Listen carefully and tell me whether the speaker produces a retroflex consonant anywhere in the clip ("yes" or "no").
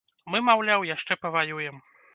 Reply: yes